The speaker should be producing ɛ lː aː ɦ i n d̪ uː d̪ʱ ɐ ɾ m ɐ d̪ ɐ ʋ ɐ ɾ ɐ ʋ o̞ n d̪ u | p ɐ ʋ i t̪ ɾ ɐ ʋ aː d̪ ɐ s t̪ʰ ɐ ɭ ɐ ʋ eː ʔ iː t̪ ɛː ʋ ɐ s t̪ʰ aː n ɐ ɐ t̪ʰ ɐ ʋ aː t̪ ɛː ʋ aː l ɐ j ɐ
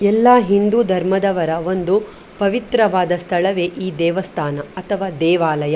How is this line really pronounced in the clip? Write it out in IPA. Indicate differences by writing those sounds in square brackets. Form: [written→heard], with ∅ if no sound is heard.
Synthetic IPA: ɛ lː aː ɦ i n d̪ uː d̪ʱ ɐ ɾ m ɐ d̪ ɐ ʋ ɐ ɾ ɐ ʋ o̞ n d̪ u | p ɐ ʋ i t̪ ɾ ɐ ʋ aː d̪ ɐ s t̪ʰ ɐ ɭ ɐ ʋ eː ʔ iː [t̪→d̪] ɛː ʋ ɐ s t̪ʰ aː n ɐ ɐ t̪ʰ ɐ ʋ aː [t̪→d̪] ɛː ʋ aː l ɐ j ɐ